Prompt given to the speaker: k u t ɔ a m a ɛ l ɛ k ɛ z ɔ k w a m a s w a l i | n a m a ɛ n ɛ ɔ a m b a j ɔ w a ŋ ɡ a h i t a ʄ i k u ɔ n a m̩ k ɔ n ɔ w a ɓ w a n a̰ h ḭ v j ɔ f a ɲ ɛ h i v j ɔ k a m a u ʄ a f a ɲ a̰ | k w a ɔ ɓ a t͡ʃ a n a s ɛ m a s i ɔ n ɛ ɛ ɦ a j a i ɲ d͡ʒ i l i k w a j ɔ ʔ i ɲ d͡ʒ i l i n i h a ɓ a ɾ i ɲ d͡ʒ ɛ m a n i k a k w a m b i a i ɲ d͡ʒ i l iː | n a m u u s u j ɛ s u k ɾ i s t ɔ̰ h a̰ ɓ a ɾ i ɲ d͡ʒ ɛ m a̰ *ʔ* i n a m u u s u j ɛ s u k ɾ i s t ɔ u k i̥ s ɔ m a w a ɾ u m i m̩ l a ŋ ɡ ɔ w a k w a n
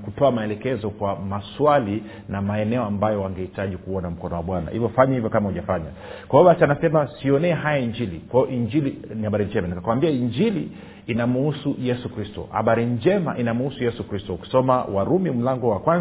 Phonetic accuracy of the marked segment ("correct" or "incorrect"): correct